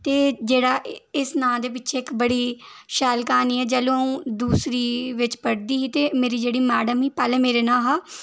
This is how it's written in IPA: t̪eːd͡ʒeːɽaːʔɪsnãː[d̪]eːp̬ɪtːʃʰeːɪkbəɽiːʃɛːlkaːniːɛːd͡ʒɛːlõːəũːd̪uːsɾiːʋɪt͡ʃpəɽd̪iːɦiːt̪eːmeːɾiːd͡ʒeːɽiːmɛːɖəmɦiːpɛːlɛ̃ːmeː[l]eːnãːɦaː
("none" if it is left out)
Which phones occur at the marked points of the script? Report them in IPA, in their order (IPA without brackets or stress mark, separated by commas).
d̪, ɾ